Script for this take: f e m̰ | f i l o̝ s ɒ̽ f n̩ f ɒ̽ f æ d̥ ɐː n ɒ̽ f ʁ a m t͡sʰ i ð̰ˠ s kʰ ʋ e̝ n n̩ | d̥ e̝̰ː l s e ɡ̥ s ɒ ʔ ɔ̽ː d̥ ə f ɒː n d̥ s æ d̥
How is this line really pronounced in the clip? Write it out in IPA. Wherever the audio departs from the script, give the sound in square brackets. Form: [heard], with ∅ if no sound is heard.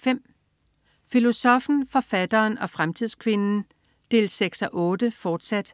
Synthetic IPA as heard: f e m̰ | f i l o̝ s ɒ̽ f n̩ f ɒ̽ f æ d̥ ɐː n ɒ̽ f ʁ a m t͡sʰ i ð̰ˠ s kʰ ʋ e̝ n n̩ | d̥ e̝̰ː l s e ɡ̥ s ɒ ʔ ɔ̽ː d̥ ə f ɒː [∅] d̥ s æ d̥